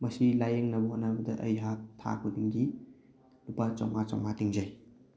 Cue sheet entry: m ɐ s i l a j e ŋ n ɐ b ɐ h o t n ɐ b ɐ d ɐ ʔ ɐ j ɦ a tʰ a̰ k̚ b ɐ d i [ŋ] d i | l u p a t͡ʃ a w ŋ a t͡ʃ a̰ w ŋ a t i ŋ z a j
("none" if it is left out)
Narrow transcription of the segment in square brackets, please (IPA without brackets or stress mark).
ŋ